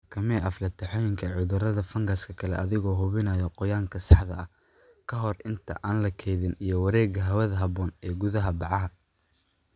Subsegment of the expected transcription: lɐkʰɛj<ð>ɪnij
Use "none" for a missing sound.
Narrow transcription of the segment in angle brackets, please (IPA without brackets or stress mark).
ð